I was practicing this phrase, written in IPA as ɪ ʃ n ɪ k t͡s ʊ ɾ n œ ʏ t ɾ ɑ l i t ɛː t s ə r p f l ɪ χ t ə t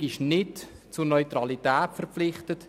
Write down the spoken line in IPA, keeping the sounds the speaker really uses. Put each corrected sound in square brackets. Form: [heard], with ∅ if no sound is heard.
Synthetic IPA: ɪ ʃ n ɪ [t] t͡s ʊ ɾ n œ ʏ t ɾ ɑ l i t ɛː t [f] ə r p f l ɪ χ t ə t